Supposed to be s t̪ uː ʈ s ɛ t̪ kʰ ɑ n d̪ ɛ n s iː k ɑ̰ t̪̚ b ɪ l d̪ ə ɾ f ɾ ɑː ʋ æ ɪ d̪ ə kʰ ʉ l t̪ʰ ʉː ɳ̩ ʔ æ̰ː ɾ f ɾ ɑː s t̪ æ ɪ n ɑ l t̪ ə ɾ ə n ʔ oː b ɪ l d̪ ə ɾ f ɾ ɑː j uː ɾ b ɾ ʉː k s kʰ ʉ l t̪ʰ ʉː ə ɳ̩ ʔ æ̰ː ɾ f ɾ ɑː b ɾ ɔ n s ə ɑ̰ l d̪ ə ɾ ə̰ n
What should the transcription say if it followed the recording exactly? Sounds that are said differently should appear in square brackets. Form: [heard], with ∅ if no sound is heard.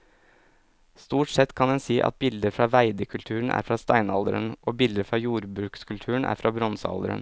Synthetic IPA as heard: s t̪ uː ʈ s ɛ t̪ kʰ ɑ n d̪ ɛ n s iː [ʔ] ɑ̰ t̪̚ b ɪ l d̪ ə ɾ f ɾ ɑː ʋ æ ɪ d̪ ə kʰ ʉ l t̪ʰ ʉː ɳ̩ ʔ æ̰ː ɾ f ɾ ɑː s t̪ æ ɪ n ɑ l [d̪] ə ɾ ə n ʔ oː b ɪ l d̪ ə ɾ f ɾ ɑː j uː ɾ b ɾ ʉː k s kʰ ʉ l t̪ʰ ʉː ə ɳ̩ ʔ æ̰ː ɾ f ɾ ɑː b ɾ ɔ n s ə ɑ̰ l d̪ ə ɾ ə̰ n

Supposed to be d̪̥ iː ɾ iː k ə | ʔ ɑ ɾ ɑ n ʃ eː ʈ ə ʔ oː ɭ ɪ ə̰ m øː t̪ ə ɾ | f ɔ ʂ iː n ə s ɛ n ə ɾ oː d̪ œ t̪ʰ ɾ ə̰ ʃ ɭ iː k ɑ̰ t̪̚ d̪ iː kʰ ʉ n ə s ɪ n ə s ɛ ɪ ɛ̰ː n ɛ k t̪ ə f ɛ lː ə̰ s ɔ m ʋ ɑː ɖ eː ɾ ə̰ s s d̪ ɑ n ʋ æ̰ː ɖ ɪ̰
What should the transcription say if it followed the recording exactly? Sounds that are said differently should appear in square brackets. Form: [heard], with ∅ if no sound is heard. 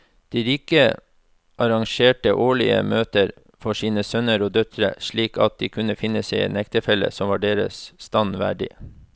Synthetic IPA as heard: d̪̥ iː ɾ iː k ə | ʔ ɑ ɾ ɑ [ŋ] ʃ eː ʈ ə ʔ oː ɭ ɪ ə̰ m øː t̪ ə ɾ | f ɔ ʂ iː n ə s [œ] n ə ɾ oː d̪ œ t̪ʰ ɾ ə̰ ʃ ɭ iː k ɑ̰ t̪̚ d̪ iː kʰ ʉ n ə [f] ɪ n ə s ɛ ɪ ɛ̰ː n ɛ k t̪ ə f ɛ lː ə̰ s ɔ m ʋ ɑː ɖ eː ɾ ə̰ s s [t̪] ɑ n ʋ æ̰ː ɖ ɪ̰

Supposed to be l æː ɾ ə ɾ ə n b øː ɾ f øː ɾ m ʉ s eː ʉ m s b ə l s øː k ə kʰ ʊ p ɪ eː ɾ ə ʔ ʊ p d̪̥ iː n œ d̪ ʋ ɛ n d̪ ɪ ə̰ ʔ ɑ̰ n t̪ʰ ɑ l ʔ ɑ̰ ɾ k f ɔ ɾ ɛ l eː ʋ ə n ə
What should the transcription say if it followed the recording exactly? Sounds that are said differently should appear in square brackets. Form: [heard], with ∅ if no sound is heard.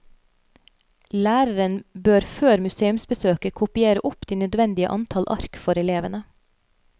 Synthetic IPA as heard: l æː ɾ ə ɾ ə n b øː ɾ f øː ɾ m ʉ s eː ʉ m s b ə [∅] s øː k ə kʰ ʊ p ɪ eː ɾ ə ʔ ʊ p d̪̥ iː n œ d̪ ʋ ɛ n d̪ ɪ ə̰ ʔ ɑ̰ n t̪ʰ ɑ l ʔ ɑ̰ ɾ k f ɔ ɾ ɛ l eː ʋ ə n ə

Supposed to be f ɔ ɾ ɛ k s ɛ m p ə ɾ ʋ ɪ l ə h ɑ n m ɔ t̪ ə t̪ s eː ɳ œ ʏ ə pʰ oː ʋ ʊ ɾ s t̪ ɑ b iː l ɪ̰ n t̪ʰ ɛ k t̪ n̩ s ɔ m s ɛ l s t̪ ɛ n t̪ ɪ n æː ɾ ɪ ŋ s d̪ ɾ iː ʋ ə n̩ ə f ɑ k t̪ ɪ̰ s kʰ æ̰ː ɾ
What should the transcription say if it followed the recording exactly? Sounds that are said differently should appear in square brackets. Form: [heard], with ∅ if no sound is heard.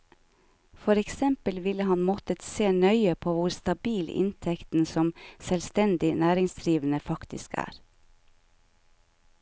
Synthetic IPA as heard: f ɔ ɾ ɛ k s ɛ m p ə [l] ʋ ɪ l ə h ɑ n m ɔ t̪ ə t̪ s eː [n] œ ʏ ə pʰ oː ʋ ʊ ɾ s t̪ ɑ b iː l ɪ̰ n t̪ʰ ɛ k t̪ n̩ s ɔ m s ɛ l s t̪ ɛ n [d̪] ɪ n æː ɾ ɪ ŋ s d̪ ɾ iː ʋ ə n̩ ə f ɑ k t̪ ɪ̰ s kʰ æ̰ː ɾ

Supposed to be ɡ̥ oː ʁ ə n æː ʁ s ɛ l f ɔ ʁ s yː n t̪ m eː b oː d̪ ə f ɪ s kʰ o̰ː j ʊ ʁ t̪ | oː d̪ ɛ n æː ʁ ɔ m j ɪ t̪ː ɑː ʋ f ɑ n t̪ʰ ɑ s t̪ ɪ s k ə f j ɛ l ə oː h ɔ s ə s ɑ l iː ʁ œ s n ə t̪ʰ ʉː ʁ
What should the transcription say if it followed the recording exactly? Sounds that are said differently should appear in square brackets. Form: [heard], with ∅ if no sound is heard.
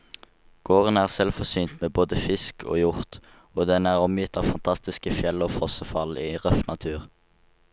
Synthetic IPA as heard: ɡ̥ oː ʁ ə n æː ʁ s ɛ l f ɔ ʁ s yː n t̪ m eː b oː d̪ ə f ɪ s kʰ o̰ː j ʊ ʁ t̪ | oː d̪ ɛ n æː ʁ ɔ m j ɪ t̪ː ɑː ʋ f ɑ n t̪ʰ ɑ s t̪ ɪ s k ə f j ɛ l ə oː [f] ɔ s ə [f] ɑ l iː ʁ œ [f] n [ɑ] t̪ʰ ʉː ʁ

